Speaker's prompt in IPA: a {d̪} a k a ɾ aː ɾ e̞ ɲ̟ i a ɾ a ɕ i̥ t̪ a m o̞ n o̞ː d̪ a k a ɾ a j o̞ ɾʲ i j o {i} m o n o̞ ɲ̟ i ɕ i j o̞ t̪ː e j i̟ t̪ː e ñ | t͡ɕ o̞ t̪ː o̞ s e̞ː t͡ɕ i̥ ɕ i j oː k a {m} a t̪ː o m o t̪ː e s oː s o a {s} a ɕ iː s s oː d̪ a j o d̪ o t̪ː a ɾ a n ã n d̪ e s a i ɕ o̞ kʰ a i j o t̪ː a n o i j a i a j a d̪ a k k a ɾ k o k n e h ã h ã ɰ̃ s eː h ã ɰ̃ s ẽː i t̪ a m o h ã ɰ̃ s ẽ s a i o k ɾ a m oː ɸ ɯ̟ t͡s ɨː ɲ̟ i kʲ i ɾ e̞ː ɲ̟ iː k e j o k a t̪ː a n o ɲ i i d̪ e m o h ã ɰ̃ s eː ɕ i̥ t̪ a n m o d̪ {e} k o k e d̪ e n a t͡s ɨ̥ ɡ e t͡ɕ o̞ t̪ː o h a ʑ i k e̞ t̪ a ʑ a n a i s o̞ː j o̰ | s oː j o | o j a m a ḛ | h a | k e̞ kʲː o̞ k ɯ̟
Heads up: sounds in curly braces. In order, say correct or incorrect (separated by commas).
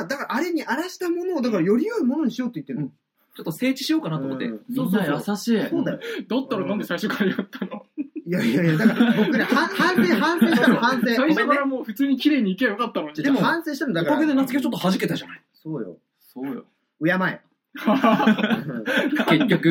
correct, correct, incorrect, correct, incorrect